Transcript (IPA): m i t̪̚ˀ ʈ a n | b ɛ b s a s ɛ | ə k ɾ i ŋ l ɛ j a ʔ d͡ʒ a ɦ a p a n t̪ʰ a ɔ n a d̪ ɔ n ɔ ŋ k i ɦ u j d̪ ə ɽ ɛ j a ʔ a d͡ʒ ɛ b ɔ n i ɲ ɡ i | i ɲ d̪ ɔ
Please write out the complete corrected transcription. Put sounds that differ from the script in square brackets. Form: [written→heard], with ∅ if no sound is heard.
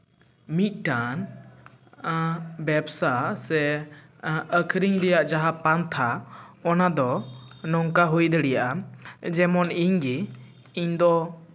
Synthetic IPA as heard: m i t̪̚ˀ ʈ a n | b ɛ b s a s ɛ | ə [k→kʰ] ɾ i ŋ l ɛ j a ʔ d͡ʒ a ɦ a p a n t̪ʰ a ɔ n a d̪ ɔ n ɔ ŋ k [i→a] ɦ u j d̪ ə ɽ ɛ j a ʔ a d͡ʒ ɛ [b→m] ɔ n i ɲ ɡ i | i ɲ d̪ ɔ